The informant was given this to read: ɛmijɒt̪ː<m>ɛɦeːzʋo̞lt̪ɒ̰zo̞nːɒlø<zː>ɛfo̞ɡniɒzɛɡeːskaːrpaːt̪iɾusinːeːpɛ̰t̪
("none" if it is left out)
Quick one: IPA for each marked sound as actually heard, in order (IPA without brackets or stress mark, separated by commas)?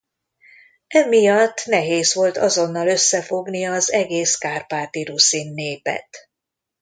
n, sː